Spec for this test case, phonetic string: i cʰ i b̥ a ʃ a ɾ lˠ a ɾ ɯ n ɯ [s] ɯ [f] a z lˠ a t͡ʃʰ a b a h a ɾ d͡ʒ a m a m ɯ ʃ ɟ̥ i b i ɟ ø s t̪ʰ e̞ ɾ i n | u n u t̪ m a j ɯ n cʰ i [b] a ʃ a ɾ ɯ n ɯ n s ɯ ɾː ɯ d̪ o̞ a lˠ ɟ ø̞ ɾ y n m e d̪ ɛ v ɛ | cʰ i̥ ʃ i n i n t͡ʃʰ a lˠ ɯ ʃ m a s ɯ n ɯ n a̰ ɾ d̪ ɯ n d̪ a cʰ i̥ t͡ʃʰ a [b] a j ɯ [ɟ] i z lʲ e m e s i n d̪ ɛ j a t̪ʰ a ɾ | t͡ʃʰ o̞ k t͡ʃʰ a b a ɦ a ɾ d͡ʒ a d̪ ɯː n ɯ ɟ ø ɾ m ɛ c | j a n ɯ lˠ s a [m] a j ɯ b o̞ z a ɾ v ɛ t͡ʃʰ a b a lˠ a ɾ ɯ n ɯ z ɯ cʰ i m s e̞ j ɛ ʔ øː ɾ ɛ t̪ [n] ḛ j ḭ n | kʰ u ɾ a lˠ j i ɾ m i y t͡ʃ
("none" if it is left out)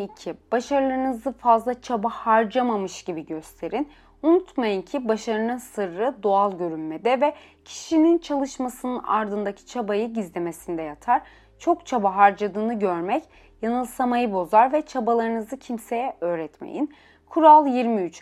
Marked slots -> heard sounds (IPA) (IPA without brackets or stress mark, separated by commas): z, f, b, b, ɟ, m, m